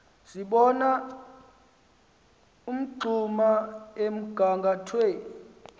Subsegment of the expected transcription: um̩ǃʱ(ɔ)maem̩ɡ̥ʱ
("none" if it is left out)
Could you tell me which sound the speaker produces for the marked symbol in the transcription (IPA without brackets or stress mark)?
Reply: u